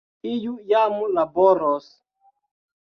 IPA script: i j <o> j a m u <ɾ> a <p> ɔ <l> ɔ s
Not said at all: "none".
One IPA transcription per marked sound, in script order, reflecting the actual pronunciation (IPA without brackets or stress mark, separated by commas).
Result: u, l, b, ɾ